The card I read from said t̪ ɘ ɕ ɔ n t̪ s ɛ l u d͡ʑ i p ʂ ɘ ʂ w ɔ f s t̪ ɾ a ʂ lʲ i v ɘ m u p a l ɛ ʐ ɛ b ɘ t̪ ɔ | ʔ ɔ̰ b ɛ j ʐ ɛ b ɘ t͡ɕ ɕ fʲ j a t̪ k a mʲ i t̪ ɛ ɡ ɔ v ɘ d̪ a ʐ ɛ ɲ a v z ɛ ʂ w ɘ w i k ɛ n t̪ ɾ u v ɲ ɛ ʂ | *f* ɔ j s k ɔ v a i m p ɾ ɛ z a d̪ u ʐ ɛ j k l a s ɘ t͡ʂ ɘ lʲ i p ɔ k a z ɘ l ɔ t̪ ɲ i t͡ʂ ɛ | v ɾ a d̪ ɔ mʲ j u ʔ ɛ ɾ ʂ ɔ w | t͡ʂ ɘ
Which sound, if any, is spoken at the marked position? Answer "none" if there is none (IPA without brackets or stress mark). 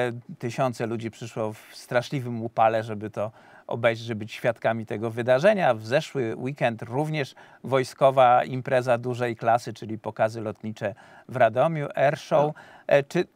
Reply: v